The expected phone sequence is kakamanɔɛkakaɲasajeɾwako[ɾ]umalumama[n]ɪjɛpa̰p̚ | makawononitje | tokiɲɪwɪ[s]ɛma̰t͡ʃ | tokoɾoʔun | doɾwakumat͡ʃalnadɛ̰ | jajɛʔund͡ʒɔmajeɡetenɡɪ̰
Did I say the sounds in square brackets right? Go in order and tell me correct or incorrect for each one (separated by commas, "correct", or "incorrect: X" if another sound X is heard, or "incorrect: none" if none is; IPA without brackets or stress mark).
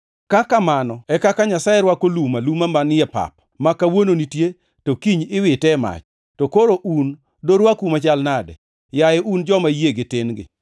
incorrect: l, correct, incorrect: t